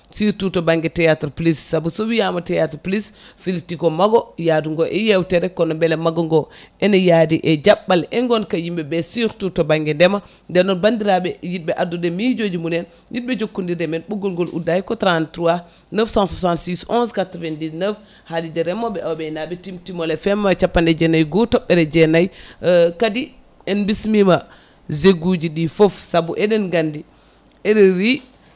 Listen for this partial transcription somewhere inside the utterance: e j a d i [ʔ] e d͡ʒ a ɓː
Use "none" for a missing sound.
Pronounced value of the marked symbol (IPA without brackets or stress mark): ʔ